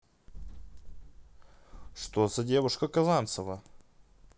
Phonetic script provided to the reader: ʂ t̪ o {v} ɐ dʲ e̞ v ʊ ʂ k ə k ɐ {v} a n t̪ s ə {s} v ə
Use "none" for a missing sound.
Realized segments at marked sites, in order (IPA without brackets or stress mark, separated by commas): z, z, none